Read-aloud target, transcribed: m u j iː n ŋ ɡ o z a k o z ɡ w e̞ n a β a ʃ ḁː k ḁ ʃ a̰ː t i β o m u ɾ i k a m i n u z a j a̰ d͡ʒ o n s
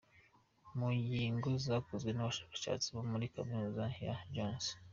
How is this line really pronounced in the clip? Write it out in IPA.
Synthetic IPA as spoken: m u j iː ŋ ɡ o z a k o z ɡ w e̞ n a β a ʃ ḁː k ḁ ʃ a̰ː t͡s i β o m u ɾ i k a m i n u z a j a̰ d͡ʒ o n s